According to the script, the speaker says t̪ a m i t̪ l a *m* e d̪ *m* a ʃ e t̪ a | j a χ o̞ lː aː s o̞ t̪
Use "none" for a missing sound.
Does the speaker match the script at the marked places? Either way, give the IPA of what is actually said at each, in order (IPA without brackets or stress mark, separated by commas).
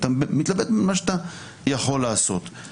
b, m